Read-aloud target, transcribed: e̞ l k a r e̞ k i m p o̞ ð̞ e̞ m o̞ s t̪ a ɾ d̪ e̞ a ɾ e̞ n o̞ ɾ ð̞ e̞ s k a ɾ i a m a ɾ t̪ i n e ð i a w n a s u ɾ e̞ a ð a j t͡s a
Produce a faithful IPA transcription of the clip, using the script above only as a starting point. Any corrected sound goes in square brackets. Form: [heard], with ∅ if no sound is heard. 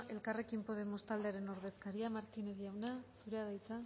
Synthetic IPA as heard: e̞ l k a r e̞ k i m p o̞ ð̞ e̞ m o̞ s t̪ a [l] d̪ e̞ a ɾ e̞ n o̞ ɾ ð̞ e̞ s k a ɾ i a m a ɾ t̪ i n e ð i a w n a s u ɾ e̞ a ð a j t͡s a